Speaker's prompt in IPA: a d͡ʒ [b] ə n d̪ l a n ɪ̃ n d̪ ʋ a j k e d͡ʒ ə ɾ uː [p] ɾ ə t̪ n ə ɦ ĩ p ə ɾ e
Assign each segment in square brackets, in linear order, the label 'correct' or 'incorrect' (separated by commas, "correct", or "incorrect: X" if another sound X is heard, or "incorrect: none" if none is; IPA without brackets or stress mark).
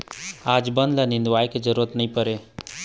correct, incorrect: none